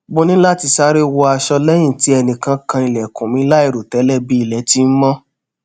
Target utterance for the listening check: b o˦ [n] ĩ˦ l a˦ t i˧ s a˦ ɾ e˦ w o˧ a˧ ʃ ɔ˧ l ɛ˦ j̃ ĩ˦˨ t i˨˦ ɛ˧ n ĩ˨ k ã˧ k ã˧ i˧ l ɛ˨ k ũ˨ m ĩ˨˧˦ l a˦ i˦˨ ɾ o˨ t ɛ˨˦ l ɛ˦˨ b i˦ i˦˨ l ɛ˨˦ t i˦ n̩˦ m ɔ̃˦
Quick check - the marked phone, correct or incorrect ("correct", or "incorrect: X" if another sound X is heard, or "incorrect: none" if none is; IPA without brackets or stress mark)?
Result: correct